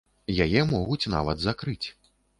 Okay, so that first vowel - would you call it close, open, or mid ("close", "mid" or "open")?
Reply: open